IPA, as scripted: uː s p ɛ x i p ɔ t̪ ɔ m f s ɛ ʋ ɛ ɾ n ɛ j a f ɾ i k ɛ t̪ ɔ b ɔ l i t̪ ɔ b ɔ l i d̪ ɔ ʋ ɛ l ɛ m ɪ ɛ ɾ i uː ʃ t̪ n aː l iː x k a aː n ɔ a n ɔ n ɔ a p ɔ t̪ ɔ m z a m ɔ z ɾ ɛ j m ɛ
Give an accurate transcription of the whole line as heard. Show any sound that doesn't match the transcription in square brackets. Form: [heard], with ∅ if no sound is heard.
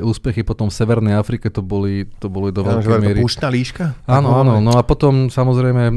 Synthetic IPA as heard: uː s p ɛ x i p ɔ t̪ ɔ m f s ɛ ʋ ɛ ɾ n ɛ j a f ɾ i k ɛ t̪ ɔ b ɔ l i t̪ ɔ b ɔ l i d̪ ɔ ʋ ɛ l ɛ m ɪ ɛ ɾ i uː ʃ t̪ n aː l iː [ʃ] k a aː n ɔ a n ɔ n ɔ a p ɔ t̪ ɔ m [s] a m ɔ z ɾ ɛ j m ɛ